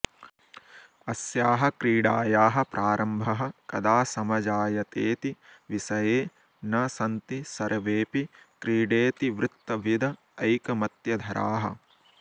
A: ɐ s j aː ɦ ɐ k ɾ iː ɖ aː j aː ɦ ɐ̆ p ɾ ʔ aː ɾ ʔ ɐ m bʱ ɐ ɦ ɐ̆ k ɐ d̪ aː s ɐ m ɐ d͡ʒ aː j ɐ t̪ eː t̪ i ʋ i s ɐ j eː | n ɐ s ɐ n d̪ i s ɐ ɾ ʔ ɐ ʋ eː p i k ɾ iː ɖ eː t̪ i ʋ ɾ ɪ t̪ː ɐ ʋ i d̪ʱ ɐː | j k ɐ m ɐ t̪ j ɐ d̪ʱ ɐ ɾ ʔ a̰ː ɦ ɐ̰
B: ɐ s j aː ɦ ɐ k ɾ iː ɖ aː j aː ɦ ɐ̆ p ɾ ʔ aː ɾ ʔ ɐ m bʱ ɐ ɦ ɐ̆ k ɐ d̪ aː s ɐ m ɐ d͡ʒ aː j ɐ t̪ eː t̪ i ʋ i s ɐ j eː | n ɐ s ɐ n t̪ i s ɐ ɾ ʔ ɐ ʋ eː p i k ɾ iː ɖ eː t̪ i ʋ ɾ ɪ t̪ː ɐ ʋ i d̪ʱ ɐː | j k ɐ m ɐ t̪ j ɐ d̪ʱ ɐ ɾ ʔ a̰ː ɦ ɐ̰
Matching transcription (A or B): B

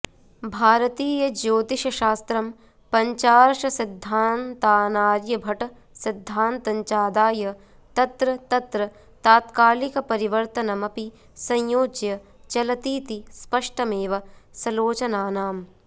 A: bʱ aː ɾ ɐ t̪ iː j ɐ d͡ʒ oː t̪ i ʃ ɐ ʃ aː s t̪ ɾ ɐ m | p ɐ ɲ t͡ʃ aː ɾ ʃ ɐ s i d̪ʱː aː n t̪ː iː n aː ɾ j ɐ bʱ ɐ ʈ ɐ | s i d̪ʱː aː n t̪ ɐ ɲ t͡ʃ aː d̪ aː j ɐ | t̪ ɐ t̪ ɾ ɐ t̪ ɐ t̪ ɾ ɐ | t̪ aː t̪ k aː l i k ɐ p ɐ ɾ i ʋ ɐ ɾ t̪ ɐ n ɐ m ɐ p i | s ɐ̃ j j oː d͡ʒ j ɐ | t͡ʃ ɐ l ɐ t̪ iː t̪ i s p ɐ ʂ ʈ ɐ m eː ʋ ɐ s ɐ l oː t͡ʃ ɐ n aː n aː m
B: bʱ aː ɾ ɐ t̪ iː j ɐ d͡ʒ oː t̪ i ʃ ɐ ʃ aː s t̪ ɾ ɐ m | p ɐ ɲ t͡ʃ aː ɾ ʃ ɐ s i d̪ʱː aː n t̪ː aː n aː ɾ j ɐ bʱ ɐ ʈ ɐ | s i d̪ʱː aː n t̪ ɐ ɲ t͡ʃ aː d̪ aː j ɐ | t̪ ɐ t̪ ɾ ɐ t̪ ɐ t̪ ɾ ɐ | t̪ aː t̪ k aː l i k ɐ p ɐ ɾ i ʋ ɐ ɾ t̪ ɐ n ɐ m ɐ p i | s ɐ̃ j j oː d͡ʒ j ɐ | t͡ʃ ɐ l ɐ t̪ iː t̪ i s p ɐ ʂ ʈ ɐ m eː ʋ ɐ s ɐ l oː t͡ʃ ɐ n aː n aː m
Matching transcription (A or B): B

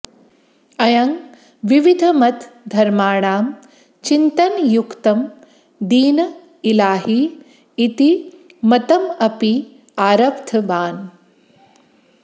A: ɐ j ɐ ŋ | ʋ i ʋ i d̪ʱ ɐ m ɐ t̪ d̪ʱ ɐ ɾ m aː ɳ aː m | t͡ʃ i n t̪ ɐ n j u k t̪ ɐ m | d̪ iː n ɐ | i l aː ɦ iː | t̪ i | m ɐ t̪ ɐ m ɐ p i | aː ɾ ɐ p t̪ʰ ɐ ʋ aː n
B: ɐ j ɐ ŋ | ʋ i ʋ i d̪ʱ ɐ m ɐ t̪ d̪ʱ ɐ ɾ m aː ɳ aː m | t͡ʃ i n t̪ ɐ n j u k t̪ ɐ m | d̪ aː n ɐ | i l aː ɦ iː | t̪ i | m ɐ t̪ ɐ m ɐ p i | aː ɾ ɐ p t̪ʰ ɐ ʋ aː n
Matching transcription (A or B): A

